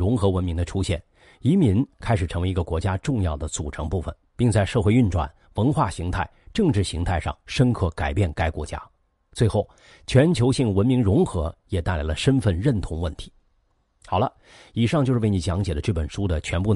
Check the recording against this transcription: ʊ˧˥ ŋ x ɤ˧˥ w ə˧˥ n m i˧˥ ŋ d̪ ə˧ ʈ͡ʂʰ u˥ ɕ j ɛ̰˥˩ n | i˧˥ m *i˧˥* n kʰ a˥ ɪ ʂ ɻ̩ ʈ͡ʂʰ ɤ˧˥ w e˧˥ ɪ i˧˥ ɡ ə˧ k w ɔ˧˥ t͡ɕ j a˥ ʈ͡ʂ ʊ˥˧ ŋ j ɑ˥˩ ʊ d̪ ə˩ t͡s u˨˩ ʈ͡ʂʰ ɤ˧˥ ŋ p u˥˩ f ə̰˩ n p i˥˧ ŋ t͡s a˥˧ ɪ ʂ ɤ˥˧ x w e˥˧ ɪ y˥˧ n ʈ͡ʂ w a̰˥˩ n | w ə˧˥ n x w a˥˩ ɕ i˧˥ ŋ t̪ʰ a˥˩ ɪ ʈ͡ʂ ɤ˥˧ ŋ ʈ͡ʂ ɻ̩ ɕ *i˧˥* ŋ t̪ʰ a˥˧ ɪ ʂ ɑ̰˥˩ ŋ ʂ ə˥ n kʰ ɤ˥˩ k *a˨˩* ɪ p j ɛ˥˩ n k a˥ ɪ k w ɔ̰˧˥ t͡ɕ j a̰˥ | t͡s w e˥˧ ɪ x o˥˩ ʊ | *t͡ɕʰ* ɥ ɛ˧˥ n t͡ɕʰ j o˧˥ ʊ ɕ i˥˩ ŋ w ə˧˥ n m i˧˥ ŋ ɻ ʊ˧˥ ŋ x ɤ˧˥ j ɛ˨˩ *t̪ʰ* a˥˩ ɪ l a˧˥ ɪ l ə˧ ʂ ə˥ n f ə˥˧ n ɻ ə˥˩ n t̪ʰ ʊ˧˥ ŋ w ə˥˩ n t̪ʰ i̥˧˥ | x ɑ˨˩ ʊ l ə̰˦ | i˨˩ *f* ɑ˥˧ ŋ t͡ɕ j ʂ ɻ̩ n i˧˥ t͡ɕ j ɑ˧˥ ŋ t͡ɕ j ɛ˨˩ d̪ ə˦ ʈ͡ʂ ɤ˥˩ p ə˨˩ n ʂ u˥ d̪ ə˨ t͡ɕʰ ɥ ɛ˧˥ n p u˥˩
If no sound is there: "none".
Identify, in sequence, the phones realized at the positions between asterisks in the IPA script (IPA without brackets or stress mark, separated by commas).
i˧˥, i˧˥, a˨˩, t͡ɕʰ, t̪, ʂ